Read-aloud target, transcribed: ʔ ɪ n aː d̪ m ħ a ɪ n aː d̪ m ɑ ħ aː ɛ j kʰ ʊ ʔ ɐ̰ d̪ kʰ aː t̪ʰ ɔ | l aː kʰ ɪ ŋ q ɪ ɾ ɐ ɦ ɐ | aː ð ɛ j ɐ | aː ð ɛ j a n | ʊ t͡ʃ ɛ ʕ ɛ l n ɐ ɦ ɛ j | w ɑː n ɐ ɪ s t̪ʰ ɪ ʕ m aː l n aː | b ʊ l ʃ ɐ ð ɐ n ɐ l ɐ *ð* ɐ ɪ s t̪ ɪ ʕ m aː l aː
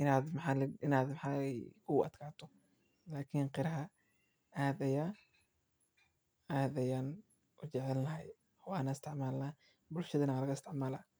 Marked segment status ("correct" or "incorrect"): incorrect